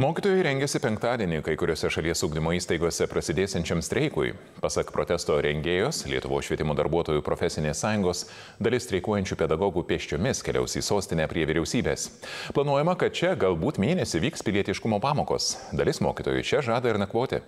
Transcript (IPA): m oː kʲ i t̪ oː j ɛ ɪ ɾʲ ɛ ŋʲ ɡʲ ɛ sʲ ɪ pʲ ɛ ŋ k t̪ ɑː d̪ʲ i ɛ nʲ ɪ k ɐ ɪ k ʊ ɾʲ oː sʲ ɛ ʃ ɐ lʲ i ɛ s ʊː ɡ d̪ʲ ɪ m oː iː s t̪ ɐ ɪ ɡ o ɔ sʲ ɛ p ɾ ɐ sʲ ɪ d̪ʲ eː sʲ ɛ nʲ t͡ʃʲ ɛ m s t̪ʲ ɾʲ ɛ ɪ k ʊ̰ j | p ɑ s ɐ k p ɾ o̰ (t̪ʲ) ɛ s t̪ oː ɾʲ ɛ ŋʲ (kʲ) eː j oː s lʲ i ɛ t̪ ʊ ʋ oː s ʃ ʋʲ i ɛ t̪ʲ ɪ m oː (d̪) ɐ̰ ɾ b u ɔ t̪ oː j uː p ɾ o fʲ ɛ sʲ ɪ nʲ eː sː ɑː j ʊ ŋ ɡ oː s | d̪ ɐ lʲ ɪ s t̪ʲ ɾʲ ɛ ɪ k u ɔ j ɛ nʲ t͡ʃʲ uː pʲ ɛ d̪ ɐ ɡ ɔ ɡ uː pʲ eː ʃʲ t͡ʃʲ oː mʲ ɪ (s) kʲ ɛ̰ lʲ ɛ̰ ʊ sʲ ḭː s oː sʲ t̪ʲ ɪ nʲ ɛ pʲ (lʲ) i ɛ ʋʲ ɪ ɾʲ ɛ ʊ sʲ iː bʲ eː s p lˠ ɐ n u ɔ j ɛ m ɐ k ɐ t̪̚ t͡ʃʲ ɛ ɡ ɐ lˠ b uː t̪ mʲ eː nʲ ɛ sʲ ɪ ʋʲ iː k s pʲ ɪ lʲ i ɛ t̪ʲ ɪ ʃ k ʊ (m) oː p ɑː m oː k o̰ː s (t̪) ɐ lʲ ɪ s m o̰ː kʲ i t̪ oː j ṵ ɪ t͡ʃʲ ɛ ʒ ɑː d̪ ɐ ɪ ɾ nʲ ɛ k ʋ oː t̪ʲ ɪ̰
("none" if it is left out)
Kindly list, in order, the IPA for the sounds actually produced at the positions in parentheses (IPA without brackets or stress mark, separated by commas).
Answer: t̪ʲ, ɡʲ, d̪, s, ɾʲ, m, d̪